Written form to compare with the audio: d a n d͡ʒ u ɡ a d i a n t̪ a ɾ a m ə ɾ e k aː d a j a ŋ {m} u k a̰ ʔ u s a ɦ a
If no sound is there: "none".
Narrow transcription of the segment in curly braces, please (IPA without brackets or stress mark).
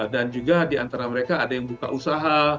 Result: b